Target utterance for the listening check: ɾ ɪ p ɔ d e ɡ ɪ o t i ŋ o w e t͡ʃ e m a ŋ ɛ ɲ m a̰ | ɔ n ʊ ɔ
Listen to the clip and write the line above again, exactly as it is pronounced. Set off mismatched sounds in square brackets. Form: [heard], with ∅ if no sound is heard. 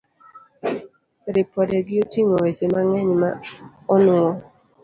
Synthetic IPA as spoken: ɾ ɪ p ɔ d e ɡ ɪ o t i ŋ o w e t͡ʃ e m a ŋ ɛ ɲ m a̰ | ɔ n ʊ ɔ